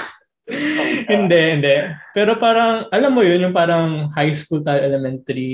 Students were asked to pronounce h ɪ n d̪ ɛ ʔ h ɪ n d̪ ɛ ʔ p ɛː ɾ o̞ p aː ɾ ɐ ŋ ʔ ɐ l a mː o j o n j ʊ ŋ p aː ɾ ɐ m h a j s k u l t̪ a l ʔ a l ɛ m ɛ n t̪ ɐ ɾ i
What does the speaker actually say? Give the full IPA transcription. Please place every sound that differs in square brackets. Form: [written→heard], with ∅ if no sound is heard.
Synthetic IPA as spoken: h ɪ n d̪ ɛ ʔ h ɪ n d̪ ɛ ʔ p ɛː ɾ o̞ p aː ɾ ɐ ŋ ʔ ɐ l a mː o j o n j ʊ ŋ p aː ɾ ɐ [m→ŋ] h a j s k u l t̪ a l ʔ [a→ɛ] l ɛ m ɛ n t̪ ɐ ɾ i